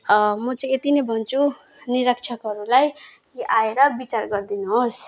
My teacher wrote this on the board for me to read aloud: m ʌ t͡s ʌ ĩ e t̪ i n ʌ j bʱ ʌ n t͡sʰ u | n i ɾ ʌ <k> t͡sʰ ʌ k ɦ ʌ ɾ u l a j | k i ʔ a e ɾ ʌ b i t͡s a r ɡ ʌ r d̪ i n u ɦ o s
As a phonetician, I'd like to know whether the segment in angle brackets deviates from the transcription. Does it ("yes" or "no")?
no